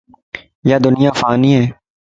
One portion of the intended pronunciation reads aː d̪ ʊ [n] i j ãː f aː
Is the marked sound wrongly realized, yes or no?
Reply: no